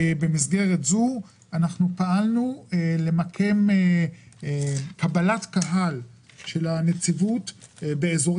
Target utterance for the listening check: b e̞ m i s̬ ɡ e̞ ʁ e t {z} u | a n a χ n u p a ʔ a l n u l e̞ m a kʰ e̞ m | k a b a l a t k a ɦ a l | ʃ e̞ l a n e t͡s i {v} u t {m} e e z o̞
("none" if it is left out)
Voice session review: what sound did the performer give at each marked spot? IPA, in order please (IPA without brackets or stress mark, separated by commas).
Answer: z, v, b